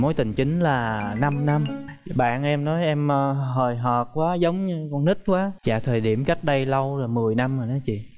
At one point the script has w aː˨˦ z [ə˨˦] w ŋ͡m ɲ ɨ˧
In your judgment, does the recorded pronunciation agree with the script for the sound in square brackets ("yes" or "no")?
yes